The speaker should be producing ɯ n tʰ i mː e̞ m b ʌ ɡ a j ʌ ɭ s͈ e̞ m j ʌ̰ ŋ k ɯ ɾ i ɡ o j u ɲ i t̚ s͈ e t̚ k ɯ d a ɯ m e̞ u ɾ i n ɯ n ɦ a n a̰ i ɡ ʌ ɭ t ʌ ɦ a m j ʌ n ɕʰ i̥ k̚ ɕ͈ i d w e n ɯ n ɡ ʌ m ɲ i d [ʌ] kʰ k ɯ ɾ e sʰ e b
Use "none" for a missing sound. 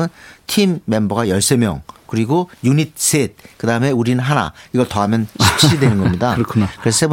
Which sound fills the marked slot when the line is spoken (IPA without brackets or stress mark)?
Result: a